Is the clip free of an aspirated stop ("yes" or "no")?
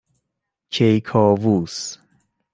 no